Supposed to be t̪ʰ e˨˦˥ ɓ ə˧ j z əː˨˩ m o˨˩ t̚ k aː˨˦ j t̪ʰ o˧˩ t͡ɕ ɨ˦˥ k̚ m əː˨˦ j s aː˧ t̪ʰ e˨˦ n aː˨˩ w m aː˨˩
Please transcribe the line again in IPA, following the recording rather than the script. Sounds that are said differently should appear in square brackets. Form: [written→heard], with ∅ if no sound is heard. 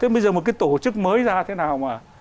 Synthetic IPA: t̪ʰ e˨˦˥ ɓ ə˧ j z əː˨˩ m o˨˩ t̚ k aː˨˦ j [t̪ʰ→t̪] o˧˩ t͡ɕ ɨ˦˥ k̚ m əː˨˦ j [s→z] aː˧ t̪ʰ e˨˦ n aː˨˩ w m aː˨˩